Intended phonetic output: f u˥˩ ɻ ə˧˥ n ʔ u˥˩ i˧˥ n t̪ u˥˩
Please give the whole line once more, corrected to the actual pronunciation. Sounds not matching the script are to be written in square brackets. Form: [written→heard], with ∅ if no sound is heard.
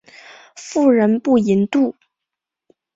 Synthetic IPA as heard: f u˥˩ ɻ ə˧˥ n [ʔ→p] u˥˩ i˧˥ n t̪ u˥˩